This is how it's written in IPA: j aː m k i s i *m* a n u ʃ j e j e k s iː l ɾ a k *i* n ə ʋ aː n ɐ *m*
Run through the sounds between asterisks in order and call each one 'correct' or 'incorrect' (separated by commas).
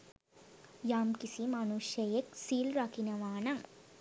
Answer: correct, correct, incorrect